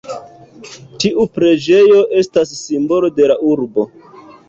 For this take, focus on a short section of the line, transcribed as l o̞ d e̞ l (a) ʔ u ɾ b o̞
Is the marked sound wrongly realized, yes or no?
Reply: no